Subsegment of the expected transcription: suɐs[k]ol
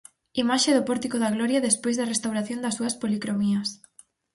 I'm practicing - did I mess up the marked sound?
yes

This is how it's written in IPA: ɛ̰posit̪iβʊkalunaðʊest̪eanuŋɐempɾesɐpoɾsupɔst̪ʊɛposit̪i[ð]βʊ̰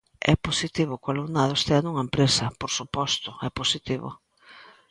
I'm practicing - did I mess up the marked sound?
yes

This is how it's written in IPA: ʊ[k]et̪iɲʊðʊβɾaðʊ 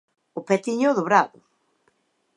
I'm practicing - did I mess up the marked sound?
yes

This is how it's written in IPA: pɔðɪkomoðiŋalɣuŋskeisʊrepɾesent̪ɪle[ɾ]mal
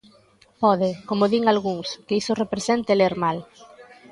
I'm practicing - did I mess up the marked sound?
no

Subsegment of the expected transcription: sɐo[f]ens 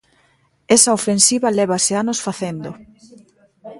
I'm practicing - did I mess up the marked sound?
no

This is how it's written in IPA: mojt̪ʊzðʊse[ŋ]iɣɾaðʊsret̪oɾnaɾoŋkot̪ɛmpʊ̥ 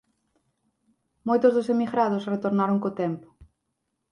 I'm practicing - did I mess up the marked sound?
yes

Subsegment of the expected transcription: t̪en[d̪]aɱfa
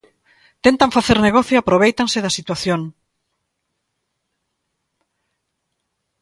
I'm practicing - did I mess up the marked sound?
yes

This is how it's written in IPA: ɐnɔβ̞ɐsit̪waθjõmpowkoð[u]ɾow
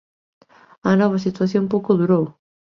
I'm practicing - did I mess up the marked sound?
no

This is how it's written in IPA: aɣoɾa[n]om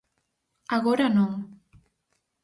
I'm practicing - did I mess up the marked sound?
no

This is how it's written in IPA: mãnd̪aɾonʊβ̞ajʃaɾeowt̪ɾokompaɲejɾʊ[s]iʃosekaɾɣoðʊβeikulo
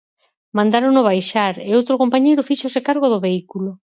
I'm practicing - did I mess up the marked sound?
yes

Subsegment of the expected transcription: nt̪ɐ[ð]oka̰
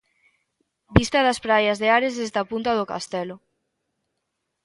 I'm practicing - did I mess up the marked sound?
no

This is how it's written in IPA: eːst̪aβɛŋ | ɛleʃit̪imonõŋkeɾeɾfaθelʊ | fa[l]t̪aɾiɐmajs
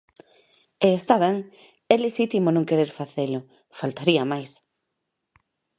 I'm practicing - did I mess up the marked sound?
no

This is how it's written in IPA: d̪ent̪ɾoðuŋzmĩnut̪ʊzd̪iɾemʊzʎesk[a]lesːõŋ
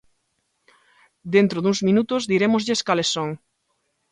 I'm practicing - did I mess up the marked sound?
no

